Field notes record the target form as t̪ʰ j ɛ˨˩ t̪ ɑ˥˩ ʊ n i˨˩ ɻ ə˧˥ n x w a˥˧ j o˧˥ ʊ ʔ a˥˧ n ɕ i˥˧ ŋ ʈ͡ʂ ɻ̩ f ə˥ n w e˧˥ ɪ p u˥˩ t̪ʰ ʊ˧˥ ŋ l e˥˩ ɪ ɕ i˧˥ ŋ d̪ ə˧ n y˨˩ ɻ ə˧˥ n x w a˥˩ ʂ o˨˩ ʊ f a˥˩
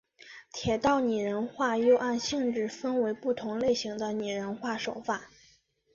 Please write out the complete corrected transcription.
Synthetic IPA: t̪ʰ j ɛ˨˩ t̪ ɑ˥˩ ʊ n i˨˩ ɻ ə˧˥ n x w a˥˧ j o˥˧ ʊ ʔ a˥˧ n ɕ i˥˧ ŋ ʈ͡ʂ ɻ̩ f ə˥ n w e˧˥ ɪ p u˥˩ t̪ʰ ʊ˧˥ ŋ l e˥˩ ɪ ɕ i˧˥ ŋ d̪ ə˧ n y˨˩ ɻ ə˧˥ n x w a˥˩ ʂ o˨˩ ʊ f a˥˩